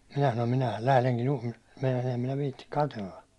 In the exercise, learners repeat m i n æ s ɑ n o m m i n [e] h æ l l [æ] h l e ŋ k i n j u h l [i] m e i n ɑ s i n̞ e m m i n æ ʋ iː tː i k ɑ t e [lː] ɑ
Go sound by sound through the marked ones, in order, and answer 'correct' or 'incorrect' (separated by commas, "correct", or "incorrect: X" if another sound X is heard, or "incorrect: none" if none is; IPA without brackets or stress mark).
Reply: incorrect: æ, correct, correct, correct